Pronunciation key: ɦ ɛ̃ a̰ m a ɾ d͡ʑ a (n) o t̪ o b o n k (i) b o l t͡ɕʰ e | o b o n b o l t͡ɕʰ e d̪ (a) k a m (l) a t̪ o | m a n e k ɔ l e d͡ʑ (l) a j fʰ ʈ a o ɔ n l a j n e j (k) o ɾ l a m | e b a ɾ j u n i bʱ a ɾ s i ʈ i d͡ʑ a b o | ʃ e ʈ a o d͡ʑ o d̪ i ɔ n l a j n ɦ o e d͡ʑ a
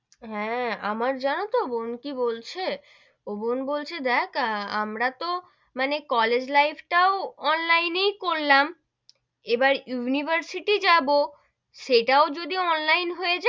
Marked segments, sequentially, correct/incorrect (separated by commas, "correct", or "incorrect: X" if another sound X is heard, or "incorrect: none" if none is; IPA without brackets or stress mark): correct, correct, incorrect: ɛ, incorrect: ɾ, correct, correct